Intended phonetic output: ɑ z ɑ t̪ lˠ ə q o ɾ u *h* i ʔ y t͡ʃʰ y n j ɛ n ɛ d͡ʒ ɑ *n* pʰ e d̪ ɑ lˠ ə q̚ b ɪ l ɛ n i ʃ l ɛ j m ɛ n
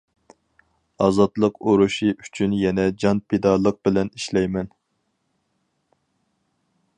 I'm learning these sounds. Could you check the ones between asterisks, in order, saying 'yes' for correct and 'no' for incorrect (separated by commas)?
no, yes